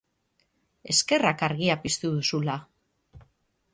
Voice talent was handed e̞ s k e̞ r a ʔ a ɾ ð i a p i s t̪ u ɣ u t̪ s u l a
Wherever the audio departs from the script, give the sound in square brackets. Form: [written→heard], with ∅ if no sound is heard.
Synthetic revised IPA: e̞ s k e̞ r a [ʔ→k] a ɾ [ð→ɣ] i a p i s t̪ u [ɣ→ð] u [t̪→∅] s u l a